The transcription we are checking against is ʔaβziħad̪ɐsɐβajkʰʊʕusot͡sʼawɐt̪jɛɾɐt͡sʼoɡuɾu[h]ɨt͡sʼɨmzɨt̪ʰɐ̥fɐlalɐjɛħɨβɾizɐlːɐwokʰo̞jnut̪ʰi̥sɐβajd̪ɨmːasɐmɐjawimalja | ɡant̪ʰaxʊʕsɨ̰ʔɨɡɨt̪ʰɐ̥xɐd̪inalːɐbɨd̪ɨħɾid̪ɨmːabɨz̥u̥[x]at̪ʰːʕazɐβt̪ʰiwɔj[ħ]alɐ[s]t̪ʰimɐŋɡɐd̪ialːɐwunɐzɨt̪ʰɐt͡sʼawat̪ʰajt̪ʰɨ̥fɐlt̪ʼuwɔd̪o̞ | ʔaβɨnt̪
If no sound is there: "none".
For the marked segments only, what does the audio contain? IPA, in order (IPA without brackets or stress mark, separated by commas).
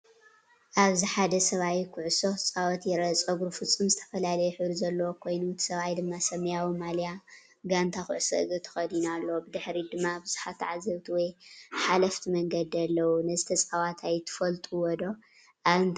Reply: f, ħ, ħ, f